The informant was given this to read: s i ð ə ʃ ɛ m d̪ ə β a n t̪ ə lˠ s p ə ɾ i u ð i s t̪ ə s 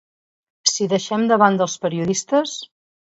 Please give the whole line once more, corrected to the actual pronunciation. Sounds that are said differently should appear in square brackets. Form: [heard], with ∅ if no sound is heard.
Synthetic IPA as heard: s i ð ə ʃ ɛ m d̪ ə β a n [d̪] ə lˠ s p ə ɾ i u ð i s t̪ ə s

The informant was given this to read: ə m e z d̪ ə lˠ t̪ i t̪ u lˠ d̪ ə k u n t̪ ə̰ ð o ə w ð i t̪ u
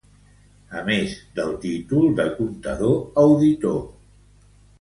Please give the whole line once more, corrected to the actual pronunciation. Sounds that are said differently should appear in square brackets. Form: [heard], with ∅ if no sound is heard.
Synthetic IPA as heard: ə m e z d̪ ə lˠ t̪ i t̪ u lˠ d̪ ə k u n t̪ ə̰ ð o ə w ð i t̪ [o]

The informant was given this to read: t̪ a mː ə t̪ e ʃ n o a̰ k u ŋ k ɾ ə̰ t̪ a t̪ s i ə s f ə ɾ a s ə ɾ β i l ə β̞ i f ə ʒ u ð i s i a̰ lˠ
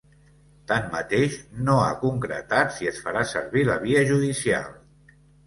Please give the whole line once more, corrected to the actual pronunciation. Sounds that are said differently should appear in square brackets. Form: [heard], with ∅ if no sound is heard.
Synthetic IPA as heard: t̪ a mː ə t̪ e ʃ n o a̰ k u ŋ k ɾ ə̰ t̪ a t̪ s i ə s f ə ɾ a s ə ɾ β i l ə β̞ i [∅] ə ʒ u ð i s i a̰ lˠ

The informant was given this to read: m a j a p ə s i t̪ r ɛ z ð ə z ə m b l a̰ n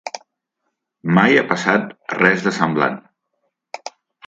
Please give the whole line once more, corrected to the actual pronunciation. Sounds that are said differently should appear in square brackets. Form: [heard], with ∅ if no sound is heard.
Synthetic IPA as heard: m a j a p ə s [a] t̪ r ɛ z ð ə [s] ə m b l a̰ n

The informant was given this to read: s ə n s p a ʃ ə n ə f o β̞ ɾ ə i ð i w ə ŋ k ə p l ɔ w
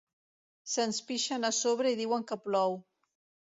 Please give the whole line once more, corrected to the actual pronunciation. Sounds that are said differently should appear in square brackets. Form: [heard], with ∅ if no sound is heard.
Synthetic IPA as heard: s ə n s p [i] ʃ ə n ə [s] o β̞ ɾ ə i ð i w ə ŋ k ə p l ɔ w

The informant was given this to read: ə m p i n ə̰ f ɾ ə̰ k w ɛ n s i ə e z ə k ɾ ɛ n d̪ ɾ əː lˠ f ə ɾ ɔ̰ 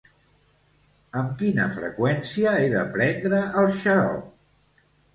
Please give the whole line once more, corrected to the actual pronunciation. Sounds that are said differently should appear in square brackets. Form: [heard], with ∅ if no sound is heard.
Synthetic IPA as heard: ə m [k] i n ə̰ f ɾ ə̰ k w ɛ n s i ə e [ð] ə [p] ɾ ɛ n d̪ ɾ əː lˠ [ʃ] ə ɾ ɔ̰

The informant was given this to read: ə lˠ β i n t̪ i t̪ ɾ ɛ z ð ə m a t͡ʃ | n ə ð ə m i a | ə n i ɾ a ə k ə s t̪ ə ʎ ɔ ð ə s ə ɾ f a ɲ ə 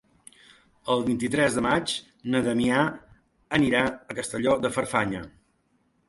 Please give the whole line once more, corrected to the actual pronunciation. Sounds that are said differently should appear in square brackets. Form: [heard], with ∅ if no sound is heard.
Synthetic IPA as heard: ə lˠ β i n t̪ i t̪ ɾ ɛ z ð ə m a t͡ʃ | n ə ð ə m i a | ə n i ɾ a ə k ə s t̪ ə ʎ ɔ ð ə [f] ə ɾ f a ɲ ə

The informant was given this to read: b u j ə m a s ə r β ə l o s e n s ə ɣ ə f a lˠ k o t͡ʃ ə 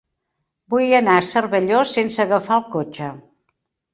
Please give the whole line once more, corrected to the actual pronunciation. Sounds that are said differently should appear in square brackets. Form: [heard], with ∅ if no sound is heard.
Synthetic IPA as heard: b u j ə [n] a s ə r β ə [ʎ] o s e n s ə ɣ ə f a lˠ k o t͡ʃ ə

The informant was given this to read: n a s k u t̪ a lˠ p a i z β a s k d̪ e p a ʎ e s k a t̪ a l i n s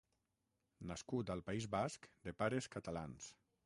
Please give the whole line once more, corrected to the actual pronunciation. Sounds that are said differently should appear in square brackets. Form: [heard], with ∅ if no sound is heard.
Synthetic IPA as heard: n a s k u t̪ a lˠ p a i z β a s k d̪ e p a [ɾ] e s k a t̪ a l [a] n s

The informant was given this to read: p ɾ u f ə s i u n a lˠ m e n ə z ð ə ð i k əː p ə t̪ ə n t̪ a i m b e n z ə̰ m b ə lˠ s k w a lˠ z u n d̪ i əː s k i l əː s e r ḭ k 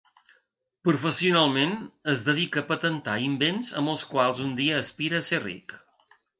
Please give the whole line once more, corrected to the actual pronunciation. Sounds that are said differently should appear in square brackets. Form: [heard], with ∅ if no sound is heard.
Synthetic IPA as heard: p ɾ u f ə s i u n a lˠ m e n ə z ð ə ð i k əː p ə t̪ ə n t̪ a i m b e n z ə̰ m b ə lˠ s k w a lˠ z u n d̪ i əː s [p] i [ɾ] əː s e r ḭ k

